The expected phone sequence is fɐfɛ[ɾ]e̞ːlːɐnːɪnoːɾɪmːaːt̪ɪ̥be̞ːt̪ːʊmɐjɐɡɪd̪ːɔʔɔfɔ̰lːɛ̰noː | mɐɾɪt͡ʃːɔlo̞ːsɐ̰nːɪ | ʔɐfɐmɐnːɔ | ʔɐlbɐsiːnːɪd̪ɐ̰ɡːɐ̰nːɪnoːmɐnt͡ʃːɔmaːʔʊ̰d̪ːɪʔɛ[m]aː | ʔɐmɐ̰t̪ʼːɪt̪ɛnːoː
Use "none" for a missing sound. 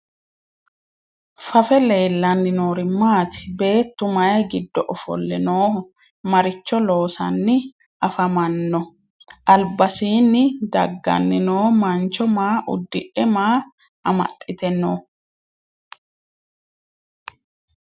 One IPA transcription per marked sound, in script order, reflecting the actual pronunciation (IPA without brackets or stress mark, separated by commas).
l, m